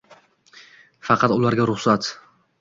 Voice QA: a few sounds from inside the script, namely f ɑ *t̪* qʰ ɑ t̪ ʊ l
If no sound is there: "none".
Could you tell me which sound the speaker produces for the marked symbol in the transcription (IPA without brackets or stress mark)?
none